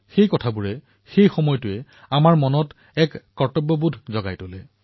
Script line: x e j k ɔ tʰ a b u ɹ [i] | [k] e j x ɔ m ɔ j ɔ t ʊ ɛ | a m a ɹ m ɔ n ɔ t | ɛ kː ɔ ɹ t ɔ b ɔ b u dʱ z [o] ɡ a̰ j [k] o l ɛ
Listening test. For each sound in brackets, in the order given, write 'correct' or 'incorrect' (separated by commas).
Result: incorrect, incorrect, incorrect, incorrect